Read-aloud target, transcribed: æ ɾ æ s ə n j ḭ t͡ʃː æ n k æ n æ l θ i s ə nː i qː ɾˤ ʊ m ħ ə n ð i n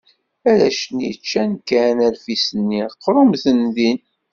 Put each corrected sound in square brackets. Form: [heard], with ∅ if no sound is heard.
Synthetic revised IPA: æ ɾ æ [ʃ] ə n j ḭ t͡ʃː æ n k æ n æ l [f] i s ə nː i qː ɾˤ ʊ m [θ] ə n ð i n